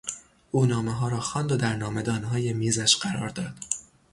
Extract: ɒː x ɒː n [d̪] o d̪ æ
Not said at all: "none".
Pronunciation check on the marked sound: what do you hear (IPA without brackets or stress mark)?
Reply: d̪